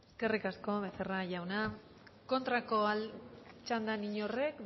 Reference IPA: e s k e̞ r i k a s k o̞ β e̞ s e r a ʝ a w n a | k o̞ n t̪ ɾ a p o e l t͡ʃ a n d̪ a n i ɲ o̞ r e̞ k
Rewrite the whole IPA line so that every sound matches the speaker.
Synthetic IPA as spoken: e s k e̞ r i k a s k o̞ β e̞ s e r a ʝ a w n a | k o̞ n t̪ ɾ a k o a l t͡ʃ a n d̪ a n i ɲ o̞ r e̞ k